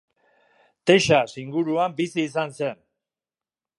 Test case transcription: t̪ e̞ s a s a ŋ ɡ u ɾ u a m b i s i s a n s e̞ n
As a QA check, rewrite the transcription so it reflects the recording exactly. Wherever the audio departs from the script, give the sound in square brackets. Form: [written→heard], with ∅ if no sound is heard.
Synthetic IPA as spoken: t̪ e̞ [s→ʃ] a s [a→i] ŋ ɡ u ɾ u a m b i s [i→iː] s a n s e̞ n